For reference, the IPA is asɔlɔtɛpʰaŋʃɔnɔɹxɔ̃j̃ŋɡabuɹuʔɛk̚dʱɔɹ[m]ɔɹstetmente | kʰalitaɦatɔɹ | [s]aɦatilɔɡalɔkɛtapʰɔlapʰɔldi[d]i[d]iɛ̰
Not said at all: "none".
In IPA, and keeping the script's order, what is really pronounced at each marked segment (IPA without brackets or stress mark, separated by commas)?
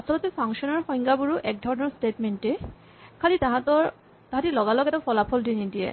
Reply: n, t, n, d